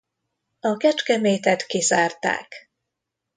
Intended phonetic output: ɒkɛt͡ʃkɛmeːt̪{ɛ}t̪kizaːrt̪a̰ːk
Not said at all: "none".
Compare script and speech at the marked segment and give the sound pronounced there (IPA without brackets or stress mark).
ɛ